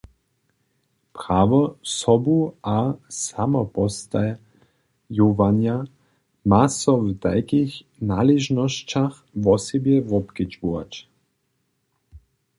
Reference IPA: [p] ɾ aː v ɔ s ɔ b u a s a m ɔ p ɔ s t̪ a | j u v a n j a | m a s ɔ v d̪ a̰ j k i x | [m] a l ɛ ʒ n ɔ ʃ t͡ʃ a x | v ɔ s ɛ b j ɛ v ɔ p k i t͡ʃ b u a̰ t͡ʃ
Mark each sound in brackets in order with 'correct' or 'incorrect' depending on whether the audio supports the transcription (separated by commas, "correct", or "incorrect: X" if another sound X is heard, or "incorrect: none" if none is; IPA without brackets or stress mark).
correct, incorrect: n